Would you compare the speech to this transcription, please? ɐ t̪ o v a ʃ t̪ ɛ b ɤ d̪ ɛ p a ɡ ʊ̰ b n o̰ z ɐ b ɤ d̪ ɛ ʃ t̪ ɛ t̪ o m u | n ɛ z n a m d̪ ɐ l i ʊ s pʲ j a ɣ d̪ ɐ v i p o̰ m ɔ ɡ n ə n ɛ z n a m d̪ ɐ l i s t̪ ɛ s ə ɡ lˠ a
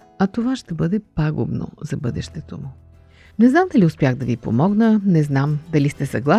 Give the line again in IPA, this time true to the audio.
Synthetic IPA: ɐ t̪ o v a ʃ t̪ ɛ b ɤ d̪ ɛ p a ɡ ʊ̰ b n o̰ z ɐ b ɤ d̪ ɛ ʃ t̪ ɛ t̪ o m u | n ɛ z n a m d̪ ɐ l i ʊ s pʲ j a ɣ d̪ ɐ v i p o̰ m ɔ ɡ n ə n ɛ z n a m d̪ ɐ l i s t̪ ɛ s ɐ ɡ lˠ a